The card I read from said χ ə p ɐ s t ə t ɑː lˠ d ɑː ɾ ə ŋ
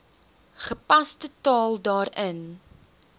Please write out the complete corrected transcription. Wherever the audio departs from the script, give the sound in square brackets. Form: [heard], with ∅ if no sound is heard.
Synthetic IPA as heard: χ ə p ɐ s t ə t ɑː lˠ d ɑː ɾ ə [n]